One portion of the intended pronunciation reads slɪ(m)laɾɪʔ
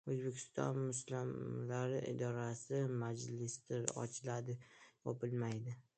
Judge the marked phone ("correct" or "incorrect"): correct